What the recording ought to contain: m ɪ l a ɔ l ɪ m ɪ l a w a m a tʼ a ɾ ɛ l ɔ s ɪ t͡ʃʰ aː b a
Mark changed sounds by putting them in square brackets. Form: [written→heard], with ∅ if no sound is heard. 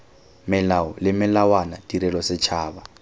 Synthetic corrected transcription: m ɪ l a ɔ l ɪ m ɪ l a w a [m→n] a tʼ [a→i] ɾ ɛ l ɔ s ɪ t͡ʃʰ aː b a